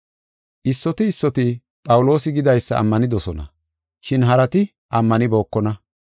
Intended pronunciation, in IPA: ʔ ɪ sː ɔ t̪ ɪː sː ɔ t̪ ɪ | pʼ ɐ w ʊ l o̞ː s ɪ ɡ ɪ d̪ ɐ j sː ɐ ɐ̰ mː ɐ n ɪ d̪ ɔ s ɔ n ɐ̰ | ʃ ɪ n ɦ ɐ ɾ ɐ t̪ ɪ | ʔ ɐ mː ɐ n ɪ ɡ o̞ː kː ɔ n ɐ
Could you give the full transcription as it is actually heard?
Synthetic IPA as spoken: ʔ ɪ sː ɔ t̪ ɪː sː ɔ t̪ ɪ | pʼ ɐ w ʊ l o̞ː s ɪ ɡ ɪ d̪ ɐ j sː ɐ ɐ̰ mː ɐ n ɪ d̪ ɔ s ɔ n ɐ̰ | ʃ ɪ n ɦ ɐ ɾ ɐ t̪ ɪ | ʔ ɐ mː ɐ n ɪ b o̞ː kː ɔ n ɐ

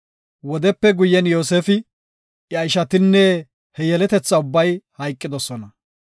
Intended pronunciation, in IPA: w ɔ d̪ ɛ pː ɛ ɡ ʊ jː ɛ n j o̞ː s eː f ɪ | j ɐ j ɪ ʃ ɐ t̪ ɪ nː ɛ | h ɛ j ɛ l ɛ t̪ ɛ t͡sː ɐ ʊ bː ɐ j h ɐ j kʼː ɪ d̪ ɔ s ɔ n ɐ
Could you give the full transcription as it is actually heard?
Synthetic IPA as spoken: w ɔ d̪ ɛ pː ɛ ɡ ʊ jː ɛ n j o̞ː s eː f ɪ | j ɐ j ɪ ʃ ɐ t̪ ɪ nː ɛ | h ɛ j ɛ l ɛ t̪ ɛ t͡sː ɐ ʊ bː ɐ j h ɐ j kʼː ɪ d̪ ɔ s ɔ n ɐ

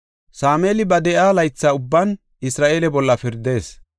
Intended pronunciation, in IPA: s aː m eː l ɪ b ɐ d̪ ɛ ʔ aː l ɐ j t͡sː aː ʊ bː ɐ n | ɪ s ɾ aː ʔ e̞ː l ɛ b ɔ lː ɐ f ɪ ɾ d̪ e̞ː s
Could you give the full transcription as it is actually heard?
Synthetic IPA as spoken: s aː m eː l ɪ b ɐ d̪ ɛ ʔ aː l ɐ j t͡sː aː ʊ bː ɐ n | ɪ s ɾ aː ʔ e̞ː l ɛ b ɔ lː ɐ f ɪ ɾ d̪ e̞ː s

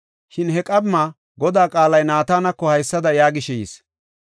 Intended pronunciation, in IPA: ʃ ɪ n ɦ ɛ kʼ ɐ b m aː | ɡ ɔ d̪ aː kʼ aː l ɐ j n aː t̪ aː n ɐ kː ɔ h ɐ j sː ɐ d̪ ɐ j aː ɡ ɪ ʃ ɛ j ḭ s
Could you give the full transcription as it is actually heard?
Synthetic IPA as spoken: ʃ ɪ n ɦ ɛ kʼ ɐ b m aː | ɡ ɔ d̪ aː kʼ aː l ɐ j n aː t̪ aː n ɐ kː ɔ h ɐ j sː ɐ d̪ ɐ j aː ɡ ɪ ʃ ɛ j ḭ s

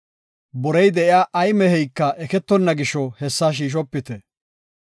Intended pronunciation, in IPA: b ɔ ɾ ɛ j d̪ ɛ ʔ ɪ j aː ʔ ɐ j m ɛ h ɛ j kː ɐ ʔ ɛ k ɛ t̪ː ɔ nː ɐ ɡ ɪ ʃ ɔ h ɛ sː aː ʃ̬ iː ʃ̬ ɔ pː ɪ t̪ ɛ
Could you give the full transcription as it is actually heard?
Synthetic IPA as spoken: b ɔ ɾ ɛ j d̪ ɛ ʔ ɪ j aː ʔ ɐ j m ɛ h ɛ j kː ɐ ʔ ɛ k ɛ t̪ː ɔ nː ɐ ɡ ɪ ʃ ɔ h ɛ sː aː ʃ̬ iː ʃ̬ ɔ pː ɪ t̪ ɛ

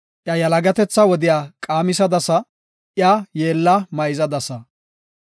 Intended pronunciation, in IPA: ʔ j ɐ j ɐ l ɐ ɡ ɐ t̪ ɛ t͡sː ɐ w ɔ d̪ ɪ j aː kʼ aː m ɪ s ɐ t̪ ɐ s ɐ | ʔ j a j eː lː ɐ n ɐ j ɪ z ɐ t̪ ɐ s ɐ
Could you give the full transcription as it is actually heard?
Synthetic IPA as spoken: ʔ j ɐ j ɐ l ɐ ɡ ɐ t̪ ɛ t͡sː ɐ w ɔ d̪ ɪ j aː kʼ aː m ɪ s ɐ d̪ ɐ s ɐ | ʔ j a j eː lː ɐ m ɐ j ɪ z ɐ d̪ ɐ s ɐ

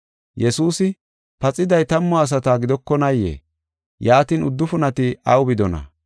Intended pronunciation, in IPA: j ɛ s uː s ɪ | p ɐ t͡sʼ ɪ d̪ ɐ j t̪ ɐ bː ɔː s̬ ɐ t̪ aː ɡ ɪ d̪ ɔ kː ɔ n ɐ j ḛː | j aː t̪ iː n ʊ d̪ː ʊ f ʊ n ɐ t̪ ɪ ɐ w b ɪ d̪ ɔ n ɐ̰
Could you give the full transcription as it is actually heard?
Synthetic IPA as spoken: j ɛ s uː s ɪ | p ɐ t͡sʼ ɪ d̪ ɐ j t̪ ɐ mː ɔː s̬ ɐ t̪ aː ɡ ɪ d̪ ɔ kː ɔ n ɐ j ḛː | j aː t̪ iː n ʊ d̪ː ʊ f ʊ n ɐ t̪ ɪ ɐ w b ɪ d̪ ɔ n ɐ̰

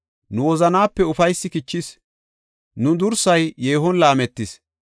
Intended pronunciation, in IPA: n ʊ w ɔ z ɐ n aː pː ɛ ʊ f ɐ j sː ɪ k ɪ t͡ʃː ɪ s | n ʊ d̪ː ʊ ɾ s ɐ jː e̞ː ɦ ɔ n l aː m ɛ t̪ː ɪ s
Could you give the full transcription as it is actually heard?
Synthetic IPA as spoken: n ʊ w ɔ z ɐ n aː pː ɛ ʊ f ɐ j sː ɪ k ɪ t͡ʃː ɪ s | n ʊ d̪ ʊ ɾ s ɐ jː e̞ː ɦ ɔ n l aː m ɛ t̪ː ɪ s

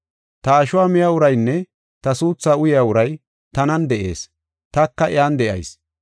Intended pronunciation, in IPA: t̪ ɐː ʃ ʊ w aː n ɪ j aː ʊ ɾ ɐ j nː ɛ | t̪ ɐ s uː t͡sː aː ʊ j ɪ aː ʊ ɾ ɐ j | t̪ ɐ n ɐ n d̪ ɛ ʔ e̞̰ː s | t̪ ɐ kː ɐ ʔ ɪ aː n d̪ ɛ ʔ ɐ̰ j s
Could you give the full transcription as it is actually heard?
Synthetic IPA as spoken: t̪ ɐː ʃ ʊ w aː m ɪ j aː ʊ ɾ ɐ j nː ɛ | t̪ ɐ s uː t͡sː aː ʊ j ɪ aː ʊ ɾ ɐ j | t̪ ɐ n ɐ n d̪ ɛ ʔ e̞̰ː s | t̪ ɐ kː ɐ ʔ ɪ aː n d̪ ɛ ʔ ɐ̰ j s

